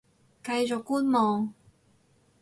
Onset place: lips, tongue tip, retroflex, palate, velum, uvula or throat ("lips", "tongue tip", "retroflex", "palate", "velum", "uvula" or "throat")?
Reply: velum